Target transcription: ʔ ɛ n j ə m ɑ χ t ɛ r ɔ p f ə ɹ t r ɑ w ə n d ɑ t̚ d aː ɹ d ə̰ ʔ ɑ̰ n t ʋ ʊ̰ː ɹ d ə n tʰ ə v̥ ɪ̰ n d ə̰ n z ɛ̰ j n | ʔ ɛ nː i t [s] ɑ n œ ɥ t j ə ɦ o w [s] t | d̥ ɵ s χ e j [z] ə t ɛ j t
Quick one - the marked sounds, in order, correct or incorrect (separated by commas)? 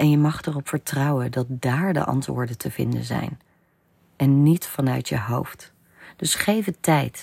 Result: incorrect, incorrect, incorrect